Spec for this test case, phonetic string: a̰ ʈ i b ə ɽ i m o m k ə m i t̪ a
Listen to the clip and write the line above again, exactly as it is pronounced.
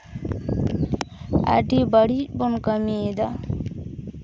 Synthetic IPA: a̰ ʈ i b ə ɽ i b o n k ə m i d̪ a

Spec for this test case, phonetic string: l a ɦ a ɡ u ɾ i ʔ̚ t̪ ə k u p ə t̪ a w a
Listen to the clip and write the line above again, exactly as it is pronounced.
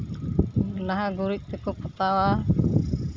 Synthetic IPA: l a ɦ a ɡ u ɾ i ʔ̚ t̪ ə k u p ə t̪ a w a

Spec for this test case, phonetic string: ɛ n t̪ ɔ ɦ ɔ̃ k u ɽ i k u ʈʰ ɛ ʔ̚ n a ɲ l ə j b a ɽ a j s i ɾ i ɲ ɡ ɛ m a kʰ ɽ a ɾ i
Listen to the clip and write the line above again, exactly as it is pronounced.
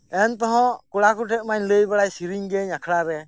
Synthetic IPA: ɛ n t̪ ɔ ɦ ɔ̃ k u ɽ a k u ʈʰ ɛ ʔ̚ m a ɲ l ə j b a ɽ a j s i ɾ i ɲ ɡ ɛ ɲ a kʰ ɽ a ɾ ɛ

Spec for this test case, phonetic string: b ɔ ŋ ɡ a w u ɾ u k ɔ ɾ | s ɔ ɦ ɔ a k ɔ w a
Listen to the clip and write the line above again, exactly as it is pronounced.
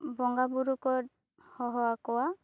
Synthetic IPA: b ɔ ŋ ɡ a b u ɾ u k ɔ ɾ | h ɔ ɦ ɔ a k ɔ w a

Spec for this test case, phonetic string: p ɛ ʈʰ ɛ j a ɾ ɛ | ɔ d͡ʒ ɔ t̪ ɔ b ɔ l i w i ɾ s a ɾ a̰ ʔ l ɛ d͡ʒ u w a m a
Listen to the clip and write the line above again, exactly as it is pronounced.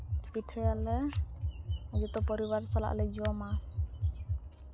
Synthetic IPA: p i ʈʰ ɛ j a l ɛ | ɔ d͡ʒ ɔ t̪ ɔ p ɔ ɾ i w a ɾ s a l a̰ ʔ l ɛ d͡ʒ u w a m a

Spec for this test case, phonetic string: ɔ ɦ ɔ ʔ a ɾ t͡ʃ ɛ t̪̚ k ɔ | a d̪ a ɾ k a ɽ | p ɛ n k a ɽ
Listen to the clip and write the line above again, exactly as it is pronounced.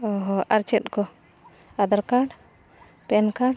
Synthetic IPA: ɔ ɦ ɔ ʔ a ɾ t͡ʃ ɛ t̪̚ k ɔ | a d̪ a ɾ k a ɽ | p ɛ n k a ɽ

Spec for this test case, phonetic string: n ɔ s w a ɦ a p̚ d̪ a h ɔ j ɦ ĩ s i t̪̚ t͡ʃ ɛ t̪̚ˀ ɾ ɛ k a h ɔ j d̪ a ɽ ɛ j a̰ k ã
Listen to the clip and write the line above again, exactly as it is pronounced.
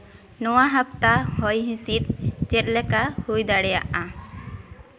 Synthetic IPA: n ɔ w a ɦ a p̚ t̪ a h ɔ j ɦ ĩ s i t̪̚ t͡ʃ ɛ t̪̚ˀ l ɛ k a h u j d̪ a ɽ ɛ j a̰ ʔ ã

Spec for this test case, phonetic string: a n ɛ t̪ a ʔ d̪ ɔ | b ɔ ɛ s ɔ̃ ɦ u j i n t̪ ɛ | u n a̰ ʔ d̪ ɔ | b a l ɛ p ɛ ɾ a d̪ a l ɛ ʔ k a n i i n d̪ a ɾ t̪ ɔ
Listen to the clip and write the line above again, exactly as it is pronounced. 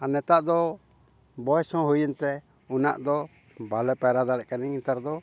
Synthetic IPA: a n ɛ t̪ a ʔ d̪ ɔ | b ɔ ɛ s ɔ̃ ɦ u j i n t̪ ɛ | u n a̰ ʔ d̪ ɔ | b a l ɛ p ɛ ɾ a d̪ a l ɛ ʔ k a n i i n t̪ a ɾ d̪ ɔ

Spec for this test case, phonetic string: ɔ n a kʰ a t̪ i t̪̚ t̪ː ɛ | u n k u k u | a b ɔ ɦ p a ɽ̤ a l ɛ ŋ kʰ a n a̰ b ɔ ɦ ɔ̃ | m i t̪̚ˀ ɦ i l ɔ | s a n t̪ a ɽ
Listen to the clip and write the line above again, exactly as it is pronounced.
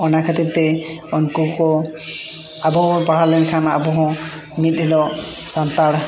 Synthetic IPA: ɔ n a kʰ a t̪ i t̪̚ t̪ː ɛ | ɔ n k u k ɔ | a b ɔ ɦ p a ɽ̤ a l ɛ n kʰ a n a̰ b ɔ ɦ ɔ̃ | m i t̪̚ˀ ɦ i l ɔ | s a n t̪ a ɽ

